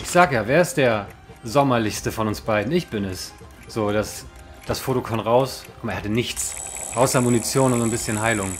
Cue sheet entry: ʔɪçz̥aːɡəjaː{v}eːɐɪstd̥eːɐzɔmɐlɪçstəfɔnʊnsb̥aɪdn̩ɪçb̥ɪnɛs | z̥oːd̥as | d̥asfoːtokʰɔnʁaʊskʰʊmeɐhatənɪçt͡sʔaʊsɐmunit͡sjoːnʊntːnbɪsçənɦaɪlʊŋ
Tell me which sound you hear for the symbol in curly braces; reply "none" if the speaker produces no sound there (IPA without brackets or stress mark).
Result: v